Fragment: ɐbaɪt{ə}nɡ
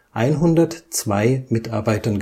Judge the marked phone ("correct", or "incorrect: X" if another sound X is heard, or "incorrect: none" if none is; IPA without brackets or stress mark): incorrect: ɐ